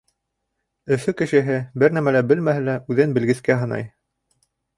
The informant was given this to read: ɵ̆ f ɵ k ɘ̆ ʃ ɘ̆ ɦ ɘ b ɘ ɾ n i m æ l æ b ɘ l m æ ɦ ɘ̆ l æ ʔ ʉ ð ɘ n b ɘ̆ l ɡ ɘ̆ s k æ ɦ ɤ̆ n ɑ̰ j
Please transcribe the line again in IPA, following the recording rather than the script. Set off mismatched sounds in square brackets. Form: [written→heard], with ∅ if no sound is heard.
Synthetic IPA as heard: ɵ̆ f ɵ k ɘ̆ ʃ ɘ̆ ɦ ɘ b ɘ ɾ n [i→æ] m æ l æ b ɘ l m æ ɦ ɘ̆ l æ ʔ ʉ ð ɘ n b ɘ̆ l ɡ ɘ̆ s k æ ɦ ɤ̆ n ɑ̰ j